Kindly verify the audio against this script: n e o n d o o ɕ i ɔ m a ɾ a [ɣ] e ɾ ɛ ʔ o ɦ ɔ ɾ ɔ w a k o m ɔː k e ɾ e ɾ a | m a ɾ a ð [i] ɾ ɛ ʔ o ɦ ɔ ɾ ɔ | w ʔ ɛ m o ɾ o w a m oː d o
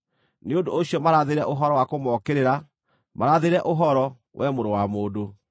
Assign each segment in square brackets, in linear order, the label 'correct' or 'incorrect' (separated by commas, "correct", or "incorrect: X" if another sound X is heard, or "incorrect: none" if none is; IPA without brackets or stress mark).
incorrect: ð, incorrect: e